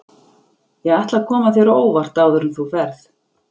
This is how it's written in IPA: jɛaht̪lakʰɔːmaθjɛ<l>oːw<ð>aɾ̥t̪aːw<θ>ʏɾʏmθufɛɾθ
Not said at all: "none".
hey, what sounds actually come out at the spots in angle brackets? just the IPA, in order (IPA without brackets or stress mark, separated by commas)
ɾ, v, ð